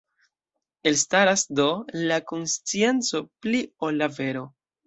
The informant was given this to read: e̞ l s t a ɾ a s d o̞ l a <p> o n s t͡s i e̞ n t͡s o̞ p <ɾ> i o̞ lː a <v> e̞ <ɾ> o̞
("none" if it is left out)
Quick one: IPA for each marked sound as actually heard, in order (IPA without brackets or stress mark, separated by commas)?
k, l, v, ɾ